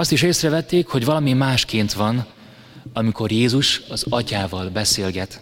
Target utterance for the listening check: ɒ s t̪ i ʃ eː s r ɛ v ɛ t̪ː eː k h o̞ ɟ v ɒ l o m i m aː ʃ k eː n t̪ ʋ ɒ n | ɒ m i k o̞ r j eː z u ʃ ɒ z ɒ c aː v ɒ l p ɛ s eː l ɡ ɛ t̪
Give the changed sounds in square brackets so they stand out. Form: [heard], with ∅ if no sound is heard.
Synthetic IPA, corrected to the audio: ɒ s t̪ i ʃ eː s r ɛ v ɛ t̪ː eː k h o̞ ɟ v ɒ l [ɒ] m i m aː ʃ k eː n t̪ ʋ ɒ n | ɒ m i k o̞ r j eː z u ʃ ɒ z ɒ c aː v ɒ l [b] ɛ s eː l ɡ ɛ t̪